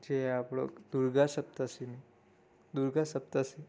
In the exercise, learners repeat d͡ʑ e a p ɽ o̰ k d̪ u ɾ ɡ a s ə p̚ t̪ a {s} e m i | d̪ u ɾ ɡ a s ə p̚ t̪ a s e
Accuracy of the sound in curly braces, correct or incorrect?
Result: correct